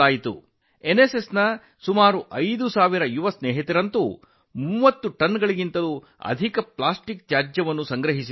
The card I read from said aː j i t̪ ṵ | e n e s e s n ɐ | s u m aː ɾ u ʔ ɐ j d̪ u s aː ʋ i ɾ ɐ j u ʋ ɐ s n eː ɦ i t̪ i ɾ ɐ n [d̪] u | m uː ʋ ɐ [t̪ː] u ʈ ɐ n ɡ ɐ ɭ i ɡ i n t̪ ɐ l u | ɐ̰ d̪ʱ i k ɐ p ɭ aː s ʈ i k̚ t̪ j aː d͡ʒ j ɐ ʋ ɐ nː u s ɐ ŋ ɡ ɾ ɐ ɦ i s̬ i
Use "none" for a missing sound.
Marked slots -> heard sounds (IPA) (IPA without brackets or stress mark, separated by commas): t̪, t̪ː